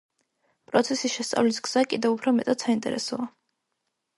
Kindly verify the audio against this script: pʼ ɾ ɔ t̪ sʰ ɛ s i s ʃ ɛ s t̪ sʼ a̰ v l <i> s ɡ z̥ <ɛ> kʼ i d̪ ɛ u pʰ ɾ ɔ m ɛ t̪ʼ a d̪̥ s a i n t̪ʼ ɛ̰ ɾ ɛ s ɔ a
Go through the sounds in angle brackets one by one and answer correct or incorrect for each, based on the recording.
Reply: correct, incorrect: a

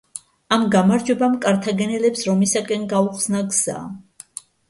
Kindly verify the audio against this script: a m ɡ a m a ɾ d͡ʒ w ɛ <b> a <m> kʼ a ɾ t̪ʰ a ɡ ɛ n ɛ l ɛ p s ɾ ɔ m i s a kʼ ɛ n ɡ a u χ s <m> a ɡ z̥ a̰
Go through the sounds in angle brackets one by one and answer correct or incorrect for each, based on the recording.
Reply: correct, correct, incorrect: n

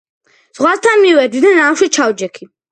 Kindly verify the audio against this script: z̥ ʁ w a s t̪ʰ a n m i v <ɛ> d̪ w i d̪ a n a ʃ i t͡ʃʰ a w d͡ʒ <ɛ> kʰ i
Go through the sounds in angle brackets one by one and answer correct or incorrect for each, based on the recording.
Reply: correct, correct

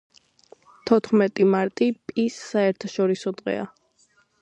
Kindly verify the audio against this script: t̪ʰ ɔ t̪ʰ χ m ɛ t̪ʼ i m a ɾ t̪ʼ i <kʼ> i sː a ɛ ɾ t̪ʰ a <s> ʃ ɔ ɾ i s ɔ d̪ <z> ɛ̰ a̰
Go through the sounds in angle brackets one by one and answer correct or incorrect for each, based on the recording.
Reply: incorrect: pʼ, incorrect: none, incorrect: ʁ

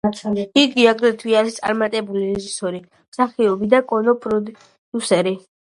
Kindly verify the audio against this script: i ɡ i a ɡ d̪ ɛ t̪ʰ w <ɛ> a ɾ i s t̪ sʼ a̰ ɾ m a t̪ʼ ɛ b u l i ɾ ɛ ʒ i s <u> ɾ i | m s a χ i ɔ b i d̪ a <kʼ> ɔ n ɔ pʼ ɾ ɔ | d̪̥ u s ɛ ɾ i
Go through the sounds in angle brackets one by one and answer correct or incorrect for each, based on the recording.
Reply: incorrect: i, incorrect: ɔ, correct

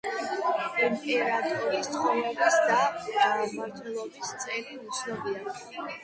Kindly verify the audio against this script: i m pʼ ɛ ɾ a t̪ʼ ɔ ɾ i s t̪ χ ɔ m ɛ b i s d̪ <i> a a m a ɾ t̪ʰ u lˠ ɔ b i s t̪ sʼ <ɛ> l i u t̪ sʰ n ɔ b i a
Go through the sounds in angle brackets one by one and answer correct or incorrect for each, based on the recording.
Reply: incorrect: a, correct

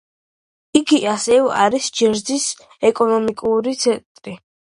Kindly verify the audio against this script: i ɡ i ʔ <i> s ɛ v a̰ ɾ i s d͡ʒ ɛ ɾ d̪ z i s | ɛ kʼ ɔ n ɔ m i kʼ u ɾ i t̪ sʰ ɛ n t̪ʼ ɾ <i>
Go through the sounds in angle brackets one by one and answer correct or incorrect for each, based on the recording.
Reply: incorrect: a, correct

